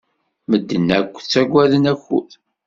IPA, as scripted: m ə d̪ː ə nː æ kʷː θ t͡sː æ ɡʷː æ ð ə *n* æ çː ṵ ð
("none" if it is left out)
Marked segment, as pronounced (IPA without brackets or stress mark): n